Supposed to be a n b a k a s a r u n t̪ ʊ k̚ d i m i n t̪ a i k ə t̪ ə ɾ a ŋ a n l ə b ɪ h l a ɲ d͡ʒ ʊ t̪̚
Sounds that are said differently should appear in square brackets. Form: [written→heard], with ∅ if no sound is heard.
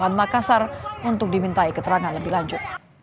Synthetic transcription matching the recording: a n [b→m] a k a s a r u n t̪ ʊ k̚ d i m i n t̪ a i k ə t̪ ə ɾ a ŋ a n l ə b ɪ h l a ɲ d͡ʒ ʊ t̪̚